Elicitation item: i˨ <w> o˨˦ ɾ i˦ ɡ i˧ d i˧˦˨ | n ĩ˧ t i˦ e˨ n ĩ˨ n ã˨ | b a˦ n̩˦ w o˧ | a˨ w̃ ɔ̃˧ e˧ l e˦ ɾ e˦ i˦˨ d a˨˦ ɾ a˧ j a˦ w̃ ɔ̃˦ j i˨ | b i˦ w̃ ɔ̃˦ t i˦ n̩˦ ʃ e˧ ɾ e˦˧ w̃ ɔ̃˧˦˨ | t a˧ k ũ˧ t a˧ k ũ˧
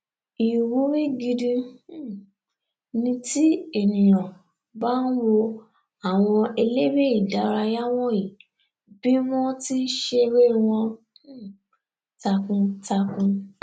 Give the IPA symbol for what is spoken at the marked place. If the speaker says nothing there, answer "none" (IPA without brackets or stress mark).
w